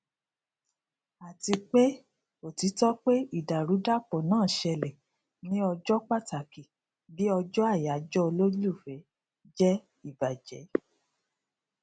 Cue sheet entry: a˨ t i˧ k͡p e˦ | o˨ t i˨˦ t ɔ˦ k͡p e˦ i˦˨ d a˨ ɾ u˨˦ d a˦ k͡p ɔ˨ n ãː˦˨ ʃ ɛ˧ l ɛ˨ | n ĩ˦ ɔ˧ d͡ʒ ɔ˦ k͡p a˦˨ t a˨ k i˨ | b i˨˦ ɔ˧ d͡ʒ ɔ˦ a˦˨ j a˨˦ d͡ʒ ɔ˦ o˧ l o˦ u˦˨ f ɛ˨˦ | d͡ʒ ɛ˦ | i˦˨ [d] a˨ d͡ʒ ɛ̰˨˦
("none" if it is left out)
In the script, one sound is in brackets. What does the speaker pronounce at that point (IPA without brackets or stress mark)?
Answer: b